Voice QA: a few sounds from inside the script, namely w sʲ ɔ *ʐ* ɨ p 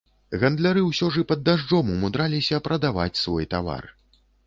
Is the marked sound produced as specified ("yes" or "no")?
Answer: yes